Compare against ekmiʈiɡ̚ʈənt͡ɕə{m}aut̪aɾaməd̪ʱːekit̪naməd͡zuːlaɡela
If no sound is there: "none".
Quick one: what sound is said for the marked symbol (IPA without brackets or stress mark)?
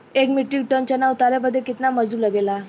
n